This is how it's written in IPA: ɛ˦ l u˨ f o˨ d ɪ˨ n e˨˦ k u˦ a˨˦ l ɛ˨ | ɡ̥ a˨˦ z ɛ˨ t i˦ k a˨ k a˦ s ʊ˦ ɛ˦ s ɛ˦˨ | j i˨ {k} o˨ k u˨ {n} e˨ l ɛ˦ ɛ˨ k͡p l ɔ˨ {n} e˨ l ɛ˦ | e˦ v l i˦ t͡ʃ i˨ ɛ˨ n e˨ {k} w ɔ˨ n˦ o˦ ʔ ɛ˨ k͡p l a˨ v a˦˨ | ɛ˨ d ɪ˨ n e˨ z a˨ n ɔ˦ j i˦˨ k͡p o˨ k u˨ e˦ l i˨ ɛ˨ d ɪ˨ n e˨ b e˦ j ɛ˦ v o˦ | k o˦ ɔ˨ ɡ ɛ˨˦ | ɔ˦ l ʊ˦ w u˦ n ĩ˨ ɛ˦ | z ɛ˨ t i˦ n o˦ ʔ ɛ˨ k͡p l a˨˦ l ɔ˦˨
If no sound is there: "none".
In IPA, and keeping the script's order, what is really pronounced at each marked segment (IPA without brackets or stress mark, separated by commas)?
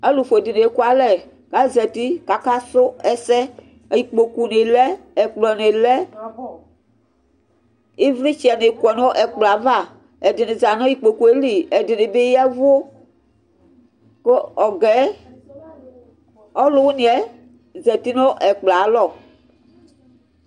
k͡p, n, n, k